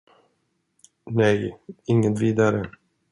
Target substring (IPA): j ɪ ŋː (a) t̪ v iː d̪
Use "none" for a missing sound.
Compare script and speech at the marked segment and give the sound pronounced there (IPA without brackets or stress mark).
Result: ə